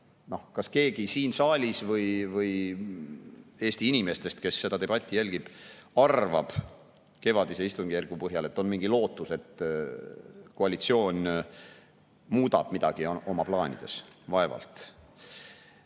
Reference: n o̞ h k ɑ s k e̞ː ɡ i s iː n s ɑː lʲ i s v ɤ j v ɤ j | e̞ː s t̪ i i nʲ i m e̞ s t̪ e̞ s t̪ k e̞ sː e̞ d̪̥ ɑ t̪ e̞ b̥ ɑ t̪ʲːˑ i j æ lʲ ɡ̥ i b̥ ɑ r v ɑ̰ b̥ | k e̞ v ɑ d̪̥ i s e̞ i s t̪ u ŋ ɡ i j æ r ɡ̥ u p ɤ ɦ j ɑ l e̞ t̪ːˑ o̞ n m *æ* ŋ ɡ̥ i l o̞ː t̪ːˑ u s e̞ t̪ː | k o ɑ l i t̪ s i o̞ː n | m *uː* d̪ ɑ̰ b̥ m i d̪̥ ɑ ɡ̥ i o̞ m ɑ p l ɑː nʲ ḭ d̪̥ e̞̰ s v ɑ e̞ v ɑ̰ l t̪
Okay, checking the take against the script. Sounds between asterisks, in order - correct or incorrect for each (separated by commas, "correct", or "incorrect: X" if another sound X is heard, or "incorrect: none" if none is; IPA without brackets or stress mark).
incorrect: i, correct